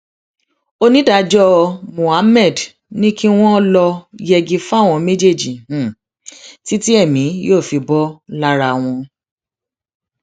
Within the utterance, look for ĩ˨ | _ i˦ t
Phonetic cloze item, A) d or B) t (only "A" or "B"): B